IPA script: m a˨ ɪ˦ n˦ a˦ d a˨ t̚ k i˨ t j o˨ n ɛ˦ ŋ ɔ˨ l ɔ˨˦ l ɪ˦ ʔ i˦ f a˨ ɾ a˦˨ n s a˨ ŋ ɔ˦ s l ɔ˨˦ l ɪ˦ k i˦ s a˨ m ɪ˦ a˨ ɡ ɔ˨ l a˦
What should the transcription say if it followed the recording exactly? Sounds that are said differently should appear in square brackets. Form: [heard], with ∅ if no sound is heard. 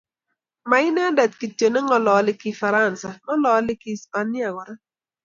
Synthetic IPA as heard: m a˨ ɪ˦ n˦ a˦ d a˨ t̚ k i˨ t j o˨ n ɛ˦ ŋ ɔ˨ l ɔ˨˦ l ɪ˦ [k] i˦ f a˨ ɾ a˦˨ n s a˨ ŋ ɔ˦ [∅] l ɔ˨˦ l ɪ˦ k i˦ s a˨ [n] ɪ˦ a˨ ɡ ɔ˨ [ɾ] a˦